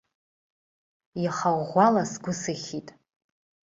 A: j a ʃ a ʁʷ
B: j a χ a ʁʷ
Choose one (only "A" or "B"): B